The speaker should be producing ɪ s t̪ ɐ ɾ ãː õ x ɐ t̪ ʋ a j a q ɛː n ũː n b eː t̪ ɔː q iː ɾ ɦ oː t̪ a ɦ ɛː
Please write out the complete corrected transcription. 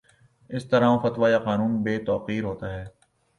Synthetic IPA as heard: ɪ s t̪ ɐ ɾ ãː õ f ɐ t̪ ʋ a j a q aː n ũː n b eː t̪ ɔː q iː ɾ ɦ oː t̪ a ɦ ɛː